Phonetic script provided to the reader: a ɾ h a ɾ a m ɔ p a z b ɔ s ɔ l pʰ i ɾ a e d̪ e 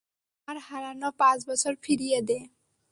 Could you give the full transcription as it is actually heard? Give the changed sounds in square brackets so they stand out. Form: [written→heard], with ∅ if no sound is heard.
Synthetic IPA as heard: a ɾ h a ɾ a [m→n] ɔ p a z b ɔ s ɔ [l→ɾ] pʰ i ɾ [a→i] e d̪ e